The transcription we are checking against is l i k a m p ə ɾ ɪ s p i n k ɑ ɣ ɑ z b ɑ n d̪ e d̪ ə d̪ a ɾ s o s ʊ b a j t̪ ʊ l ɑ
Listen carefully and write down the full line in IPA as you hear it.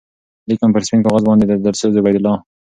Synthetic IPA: l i k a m p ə ɾ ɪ s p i n k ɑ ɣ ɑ z b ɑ n d̪ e d̪ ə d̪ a ɾ s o z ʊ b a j d̪ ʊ l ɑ